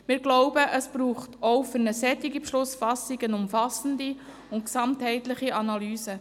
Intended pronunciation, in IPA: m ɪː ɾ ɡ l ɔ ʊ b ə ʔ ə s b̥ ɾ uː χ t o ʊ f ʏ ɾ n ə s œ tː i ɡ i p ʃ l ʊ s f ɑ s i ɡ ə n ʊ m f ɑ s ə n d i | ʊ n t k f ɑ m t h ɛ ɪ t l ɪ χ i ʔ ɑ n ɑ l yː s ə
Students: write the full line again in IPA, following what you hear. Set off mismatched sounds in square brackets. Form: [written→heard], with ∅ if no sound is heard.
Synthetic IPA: m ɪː ɾ ɡ l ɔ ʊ b ə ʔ ə s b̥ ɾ uː χ t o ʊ f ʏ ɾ n ə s [œ→ɛ] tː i ɡ i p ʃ l ʊ s f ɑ s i ɡ ə n ʊ m f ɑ s ə n d i | ʊ n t k [f→s] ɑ m t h ɛ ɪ t l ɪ χ i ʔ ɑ n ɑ l yː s ə